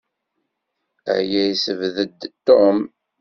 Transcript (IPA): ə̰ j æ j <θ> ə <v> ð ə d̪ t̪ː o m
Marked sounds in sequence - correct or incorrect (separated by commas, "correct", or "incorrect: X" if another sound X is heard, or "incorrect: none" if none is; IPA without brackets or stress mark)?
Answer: incorrect: s, correct